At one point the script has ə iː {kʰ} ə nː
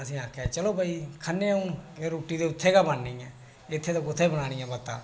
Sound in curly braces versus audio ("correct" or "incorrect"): correct